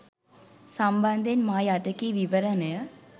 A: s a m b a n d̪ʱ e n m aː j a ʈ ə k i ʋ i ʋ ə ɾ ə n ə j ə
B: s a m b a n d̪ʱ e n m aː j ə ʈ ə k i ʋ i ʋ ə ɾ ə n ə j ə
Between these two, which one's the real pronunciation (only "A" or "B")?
A